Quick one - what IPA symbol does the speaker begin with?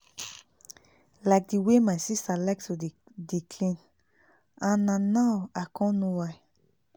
l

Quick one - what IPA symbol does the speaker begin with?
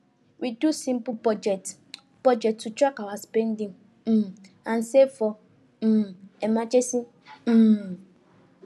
w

